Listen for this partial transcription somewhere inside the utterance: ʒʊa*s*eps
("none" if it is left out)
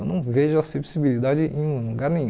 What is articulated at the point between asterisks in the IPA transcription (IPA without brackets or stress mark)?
s